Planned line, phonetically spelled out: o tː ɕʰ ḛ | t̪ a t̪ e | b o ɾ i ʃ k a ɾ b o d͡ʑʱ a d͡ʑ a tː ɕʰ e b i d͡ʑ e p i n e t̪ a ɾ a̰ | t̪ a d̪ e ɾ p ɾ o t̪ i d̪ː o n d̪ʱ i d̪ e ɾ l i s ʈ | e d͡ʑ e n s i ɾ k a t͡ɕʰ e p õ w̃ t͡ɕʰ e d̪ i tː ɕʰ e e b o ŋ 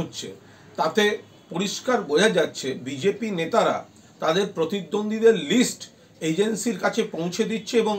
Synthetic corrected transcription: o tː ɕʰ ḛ | t̪ a t̪ e | p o ɾ i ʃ k a ɾ b o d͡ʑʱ a d͡ʑ a tː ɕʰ e b i d͡ʑ e p i n e t̪ a ɾ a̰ | t̪ a d̪ e ɾ p ɾ o t̪ i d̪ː o n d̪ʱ i d̪ e ɾ l i s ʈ | e d͡ʑ e n s i ɾ k a t͡ɕʰ e p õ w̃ t͡ɕʰ e d̪ i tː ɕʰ e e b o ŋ